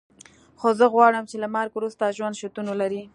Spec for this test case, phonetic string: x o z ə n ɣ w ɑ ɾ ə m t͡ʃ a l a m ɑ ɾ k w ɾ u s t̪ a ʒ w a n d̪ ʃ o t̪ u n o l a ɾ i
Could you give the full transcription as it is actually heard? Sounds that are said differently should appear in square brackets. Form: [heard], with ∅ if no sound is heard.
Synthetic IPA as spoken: x o z ə [∅] ɣ w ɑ [ɽ] ə m t͡ʃ [e] l a m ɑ ɾ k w ɾ u s t̪ a ʒ w a n d̪ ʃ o t̪ u n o l a ɾ i

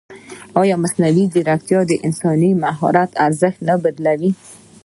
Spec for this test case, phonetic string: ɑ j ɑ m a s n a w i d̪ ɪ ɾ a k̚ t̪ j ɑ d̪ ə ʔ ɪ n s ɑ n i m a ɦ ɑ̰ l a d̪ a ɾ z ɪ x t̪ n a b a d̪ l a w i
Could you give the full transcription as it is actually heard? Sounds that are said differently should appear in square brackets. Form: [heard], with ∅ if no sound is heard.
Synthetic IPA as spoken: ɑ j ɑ m a s n a w i d̪ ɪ ɾ a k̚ t̪ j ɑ d̪ ə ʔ ɪ n s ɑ n i m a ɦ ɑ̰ [ɾ] a [t̪] a ɾ z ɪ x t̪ n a b a d̪ l a w i

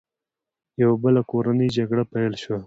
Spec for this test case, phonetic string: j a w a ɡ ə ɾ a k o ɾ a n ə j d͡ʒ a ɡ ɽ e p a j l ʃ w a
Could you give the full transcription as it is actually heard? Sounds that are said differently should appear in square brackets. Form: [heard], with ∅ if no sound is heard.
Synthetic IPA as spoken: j a w a [b] ə [l] a k o ɾ a n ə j d͡ʒ a ɡ ɽ [a] p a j l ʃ w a

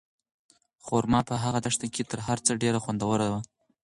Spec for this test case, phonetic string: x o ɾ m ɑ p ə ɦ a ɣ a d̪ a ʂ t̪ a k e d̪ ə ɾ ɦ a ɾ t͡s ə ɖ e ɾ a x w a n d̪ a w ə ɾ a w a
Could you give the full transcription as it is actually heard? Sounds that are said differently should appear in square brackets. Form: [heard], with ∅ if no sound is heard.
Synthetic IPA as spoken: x o ɾ m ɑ p ə ɦ a ɣ a d̪ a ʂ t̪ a k e [t̪] ə ɾ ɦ a ɾ t͡s ə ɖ e ɾ a x w a n d̪ a w ə ɾ a w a

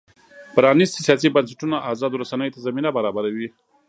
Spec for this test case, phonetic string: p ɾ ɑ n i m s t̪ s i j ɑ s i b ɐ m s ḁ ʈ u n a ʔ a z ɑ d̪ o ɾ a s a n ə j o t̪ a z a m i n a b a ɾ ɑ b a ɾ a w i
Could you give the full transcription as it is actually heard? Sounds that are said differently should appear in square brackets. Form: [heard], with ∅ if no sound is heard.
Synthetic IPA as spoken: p ɾ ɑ n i [∅] s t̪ s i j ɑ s i b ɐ [n] s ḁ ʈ u n a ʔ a z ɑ d̪ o ɾ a s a n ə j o t̪ a z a m i n a b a ɾ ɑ b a ɾ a w i

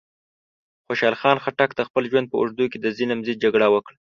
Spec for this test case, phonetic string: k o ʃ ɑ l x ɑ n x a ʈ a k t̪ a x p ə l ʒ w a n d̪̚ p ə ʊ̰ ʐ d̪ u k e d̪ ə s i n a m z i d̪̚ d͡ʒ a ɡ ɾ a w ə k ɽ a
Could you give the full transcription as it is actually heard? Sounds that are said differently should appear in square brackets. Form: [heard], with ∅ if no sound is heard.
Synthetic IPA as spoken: [x] o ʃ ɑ l x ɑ n x a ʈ a k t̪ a x p ə l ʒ w a n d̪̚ p ə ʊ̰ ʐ d̪ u k e d̪ ə [z] i n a m z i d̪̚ d͡ʒ a ɡ [ɽ] a w ə k ɽ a

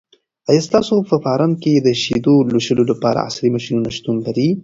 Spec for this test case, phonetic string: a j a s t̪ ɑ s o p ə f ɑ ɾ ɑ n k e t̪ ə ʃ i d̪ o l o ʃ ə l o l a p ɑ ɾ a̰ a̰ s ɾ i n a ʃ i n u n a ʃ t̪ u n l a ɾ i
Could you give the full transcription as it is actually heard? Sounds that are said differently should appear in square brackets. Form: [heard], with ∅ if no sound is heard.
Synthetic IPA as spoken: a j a s t̪ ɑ s o p ə f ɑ ɾ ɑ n k e [d̪] ə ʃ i d̪ o l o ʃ ə l o l a p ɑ ɾ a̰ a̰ s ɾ i [m] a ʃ i n u n a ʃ t̪ u n l a ɾ i

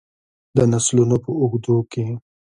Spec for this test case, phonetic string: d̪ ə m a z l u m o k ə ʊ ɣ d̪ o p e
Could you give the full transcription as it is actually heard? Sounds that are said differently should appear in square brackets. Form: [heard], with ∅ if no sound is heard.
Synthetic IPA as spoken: d̪ ə [n] a [s] l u [n] o [p] ə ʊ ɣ d̪ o [k] e

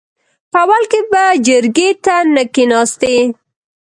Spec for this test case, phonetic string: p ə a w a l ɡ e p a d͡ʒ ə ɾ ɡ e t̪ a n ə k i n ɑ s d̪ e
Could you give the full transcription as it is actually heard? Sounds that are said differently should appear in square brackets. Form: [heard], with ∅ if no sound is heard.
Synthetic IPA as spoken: p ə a w a l [k] e [b] a d͡ʒ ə ɾ ɡ e t̪ a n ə k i n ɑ s [t̪] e

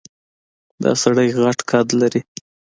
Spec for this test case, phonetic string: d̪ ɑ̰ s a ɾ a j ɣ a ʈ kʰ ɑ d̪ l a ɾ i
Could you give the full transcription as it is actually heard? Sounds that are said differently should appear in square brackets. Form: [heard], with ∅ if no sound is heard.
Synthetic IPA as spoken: d̪ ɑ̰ s a [ɽ] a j ɣ a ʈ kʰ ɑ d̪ l a ɾ i

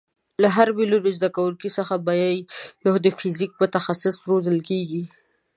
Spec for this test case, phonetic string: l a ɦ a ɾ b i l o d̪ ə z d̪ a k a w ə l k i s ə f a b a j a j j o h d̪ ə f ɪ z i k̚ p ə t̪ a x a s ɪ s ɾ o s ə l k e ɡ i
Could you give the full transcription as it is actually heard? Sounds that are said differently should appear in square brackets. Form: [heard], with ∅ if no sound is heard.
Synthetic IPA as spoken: l a ɦ a ɾ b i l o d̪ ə z d̪ a k a w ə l k i s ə [x] a b a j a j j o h d̪ ə f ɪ z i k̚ p ə t̪ a x a s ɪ s ɾ o [z] ə l k e ɡ i

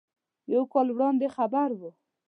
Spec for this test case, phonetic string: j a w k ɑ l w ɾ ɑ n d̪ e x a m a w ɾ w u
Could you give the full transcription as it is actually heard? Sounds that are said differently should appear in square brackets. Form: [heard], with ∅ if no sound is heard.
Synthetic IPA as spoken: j a w k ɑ l w [ɽ] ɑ n d̪ e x a [b] a [∅] ɾ w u

